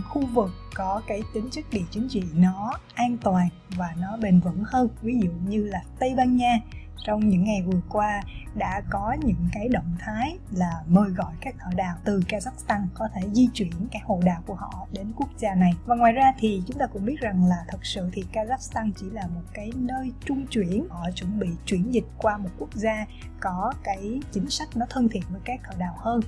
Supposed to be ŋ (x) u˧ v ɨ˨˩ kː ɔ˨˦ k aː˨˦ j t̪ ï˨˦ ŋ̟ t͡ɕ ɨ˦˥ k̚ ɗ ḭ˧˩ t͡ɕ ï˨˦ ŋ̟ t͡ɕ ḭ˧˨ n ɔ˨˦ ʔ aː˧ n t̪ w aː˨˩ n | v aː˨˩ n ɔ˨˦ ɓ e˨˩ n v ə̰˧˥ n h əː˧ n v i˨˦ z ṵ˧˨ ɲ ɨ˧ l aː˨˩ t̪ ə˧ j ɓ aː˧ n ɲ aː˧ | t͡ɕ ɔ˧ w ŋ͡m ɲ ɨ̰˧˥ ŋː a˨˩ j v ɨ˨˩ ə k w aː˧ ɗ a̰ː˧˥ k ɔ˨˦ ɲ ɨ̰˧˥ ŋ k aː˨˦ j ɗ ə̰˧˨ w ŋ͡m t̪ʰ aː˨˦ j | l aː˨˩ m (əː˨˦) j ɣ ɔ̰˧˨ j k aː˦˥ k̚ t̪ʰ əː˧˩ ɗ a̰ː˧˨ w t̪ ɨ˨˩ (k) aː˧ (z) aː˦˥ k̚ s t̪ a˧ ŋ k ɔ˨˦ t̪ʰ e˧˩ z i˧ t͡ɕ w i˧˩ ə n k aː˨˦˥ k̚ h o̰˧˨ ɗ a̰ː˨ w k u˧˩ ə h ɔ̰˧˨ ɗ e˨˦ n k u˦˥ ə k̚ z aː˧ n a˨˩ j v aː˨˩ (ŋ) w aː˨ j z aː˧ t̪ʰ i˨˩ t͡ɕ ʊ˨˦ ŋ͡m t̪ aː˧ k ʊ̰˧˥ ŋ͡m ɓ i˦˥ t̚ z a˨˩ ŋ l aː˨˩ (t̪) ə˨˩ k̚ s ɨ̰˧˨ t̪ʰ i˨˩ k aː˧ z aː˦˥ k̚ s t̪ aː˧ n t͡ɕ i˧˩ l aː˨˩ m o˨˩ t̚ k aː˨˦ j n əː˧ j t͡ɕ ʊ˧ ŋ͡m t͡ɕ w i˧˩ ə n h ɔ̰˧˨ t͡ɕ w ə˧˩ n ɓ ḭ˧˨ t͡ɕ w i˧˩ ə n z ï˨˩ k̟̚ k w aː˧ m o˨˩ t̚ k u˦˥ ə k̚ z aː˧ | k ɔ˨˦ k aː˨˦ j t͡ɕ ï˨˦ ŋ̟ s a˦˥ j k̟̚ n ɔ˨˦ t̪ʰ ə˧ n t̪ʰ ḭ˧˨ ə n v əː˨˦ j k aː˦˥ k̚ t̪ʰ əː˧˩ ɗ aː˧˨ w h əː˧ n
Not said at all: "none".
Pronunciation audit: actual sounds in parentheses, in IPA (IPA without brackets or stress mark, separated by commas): x, əː˨˩, k, z, ŋ, t̪ʰ